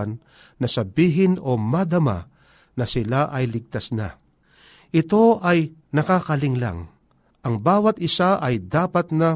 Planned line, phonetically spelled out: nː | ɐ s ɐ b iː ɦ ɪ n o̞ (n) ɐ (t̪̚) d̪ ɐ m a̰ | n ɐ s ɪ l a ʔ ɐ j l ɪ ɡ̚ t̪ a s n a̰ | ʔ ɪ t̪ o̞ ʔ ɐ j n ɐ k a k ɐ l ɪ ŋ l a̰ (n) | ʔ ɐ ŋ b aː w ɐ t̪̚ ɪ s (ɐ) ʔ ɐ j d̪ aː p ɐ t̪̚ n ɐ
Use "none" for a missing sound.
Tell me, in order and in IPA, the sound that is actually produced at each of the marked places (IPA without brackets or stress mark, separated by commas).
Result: m, none, ŋ, a